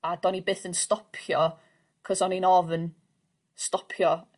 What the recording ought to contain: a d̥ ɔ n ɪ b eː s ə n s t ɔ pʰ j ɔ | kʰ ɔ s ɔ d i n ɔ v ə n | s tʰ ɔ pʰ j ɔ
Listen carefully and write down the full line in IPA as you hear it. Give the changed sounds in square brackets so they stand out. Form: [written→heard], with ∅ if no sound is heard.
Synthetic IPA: a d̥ ɔ n [ɪ→i] b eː [s→θ] ə n s t ɔ pʰ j ɔ | kʰ ɔ s ɔ [d→n] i n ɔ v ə n | s [tʰ→t] ɔ pʰ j ɔ